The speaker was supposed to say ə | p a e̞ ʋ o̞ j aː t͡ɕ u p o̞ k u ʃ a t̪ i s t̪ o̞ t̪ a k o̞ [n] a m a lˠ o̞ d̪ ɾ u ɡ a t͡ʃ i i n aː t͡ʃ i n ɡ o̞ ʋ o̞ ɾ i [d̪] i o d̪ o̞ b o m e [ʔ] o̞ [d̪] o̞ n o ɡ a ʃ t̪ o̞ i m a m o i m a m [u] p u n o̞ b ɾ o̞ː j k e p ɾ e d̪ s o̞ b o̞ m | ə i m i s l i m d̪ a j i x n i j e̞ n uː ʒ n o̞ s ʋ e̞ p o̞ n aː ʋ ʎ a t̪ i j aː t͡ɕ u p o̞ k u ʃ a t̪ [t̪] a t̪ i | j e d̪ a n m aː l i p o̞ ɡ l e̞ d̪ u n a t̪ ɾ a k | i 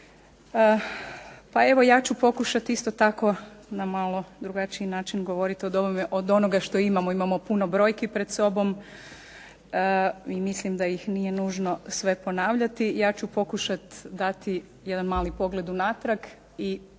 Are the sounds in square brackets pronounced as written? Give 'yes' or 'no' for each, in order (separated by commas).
yes, no, yes, yes, no, no